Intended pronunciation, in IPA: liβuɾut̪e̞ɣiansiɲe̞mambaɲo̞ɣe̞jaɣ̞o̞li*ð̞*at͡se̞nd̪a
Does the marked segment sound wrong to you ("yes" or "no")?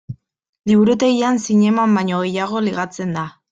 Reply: yes